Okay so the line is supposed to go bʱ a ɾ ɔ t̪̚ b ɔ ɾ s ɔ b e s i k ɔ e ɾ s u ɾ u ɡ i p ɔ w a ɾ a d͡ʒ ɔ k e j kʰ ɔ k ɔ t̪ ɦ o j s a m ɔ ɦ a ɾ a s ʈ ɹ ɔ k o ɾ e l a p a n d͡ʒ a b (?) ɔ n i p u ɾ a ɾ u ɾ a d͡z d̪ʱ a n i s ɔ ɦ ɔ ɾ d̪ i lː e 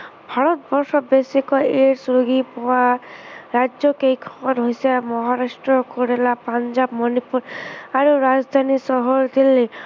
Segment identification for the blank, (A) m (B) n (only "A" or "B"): A